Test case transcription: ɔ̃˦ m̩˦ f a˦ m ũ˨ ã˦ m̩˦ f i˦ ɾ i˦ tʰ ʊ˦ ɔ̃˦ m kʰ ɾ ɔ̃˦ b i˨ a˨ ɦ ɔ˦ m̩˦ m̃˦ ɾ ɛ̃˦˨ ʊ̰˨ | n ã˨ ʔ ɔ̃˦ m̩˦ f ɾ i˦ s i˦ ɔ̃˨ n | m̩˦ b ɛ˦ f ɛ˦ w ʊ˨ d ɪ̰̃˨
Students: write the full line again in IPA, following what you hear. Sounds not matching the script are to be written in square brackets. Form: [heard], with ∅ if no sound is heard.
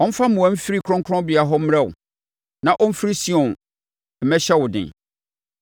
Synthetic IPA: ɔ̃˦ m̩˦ f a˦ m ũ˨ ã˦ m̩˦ f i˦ ɾ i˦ [kʰ] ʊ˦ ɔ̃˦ [ŋ] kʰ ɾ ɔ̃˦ b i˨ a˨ ɦ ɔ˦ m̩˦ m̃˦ ɾ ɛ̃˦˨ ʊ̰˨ | n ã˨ ʔ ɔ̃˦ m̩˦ f ɾ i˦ s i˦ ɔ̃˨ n | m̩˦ [m] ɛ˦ [ɕ] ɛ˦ w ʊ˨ d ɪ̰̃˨